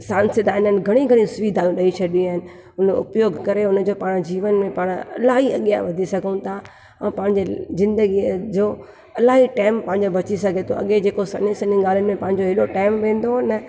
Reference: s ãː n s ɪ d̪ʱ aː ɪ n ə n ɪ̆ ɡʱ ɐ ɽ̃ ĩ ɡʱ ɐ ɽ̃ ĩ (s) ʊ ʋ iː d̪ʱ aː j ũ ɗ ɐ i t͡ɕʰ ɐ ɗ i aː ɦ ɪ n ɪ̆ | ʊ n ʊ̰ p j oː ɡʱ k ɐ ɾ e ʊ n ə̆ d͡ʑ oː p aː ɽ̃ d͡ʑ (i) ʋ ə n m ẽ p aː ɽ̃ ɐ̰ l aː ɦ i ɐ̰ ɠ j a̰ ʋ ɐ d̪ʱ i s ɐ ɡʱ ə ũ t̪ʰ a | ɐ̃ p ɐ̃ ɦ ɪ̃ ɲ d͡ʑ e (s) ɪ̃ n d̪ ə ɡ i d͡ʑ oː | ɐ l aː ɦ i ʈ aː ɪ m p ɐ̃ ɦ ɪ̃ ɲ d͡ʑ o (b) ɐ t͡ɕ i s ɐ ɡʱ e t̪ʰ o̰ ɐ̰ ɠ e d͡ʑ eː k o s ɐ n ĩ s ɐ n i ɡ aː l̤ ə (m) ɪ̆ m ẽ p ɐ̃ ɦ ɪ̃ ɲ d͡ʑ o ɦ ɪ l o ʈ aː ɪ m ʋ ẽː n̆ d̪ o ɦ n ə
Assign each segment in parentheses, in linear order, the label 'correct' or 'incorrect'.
correct, incorrect, incorrect, correct, incorrect

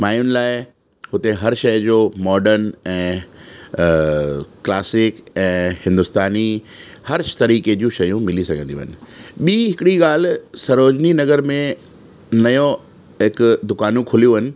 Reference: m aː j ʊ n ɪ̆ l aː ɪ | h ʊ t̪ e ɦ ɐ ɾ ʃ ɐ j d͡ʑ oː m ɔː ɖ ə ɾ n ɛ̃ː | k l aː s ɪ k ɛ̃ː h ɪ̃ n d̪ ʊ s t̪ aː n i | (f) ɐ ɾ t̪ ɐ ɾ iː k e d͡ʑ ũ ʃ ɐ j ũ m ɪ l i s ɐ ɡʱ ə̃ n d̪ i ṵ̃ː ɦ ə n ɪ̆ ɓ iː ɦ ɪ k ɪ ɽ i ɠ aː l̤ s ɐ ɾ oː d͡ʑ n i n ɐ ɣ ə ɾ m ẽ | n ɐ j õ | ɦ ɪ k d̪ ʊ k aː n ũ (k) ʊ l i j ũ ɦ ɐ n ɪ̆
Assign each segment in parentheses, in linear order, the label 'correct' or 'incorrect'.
incorrect, incorrect

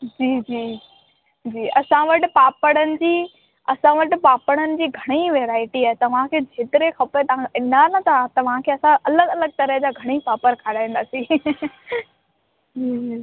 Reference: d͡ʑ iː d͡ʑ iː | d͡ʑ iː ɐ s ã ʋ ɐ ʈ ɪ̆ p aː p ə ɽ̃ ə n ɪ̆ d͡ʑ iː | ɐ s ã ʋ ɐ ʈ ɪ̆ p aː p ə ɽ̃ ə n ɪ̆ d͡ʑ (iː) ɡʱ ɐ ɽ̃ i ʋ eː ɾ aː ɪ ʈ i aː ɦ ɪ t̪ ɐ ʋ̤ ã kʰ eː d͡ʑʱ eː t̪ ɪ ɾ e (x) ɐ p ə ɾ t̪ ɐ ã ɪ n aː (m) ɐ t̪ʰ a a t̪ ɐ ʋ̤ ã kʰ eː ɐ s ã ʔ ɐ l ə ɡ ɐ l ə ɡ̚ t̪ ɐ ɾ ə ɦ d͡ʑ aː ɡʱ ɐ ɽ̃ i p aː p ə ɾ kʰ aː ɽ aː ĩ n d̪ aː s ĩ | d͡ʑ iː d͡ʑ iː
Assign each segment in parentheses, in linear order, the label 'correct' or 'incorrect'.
correct, correct, incorrect

